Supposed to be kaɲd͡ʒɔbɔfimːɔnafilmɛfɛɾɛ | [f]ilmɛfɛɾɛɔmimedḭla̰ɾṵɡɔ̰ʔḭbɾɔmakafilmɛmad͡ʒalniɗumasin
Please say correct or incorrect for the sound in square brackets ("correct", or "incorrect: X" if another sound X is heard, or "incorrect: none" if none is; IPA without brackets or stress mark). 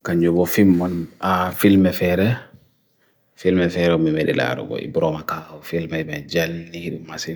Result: correct